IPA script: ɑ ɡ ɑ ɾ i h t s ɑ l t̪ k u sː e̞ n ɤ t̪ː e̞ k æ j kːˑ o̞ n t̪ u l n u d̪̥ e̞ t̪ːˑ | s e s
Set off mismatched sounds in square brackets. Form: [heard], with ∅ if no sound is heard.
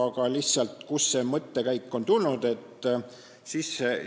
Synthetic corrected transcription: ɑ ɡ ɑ [l] i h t s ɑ l t̪ k u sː e̞ [m] ɤ t̪ː e̞ k æ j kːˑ o̞ n t̪ u l n u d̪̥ e̞ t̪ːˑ | s [i] s